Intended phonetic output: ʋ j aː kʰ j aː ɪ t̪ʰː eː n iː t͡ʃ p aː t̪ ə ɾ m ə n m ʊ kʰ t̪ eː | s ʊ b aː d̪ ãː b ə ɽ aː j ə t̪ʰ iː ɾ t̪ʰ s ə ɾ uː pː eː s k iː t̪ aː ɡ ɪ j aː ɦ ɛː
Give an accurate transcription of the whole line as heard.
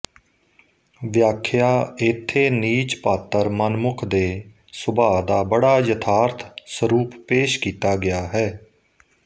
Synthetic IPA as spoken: ʋ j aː kʰ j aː ɪ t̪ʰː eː n iː t͡ʃ p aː t̪ ə ɾ m ə n m ʊ kʰ d̪ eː | s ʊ b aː d̪ aː b ə ɽ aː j ə t̪ʰ aː ɾ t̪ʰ s ə ɾ uː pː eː ʃ k iː t̪ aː ɡ ɪ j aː ɦ ɛː